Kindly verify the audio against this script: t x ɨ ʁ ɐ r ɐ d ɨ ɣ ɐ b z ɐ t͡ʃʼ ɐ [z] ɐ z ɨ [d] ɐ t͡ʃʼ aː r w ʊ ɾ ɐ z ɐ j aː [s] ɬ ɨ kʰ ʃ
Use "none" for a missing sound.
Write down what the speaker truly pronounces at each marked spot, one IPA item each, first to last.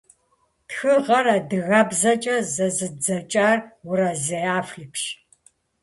z, d͡z, f

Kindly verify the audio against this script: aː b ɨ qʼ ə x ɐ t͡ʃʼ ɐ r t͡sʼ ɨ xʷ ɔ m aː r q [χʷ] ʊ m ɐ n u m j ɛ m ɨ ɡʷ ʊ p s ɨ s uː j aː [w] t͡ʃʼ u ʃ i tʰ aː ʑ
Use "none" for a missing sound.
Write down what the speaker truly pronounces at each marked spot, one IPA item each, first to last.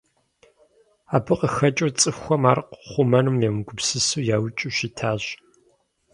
χʷ, w

